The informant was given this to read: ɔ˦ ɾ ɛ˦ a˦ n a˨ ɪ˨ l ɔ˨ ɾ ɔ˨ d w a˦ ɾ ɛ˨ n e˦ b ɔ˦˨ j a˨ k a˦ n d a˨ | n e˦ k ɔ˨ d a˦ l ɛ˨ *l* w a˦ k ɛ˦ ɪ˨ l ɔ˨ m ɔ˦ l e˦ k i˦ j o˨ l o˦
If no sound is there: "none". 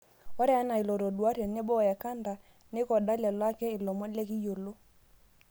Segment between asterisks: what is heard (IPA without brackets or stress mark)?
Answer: l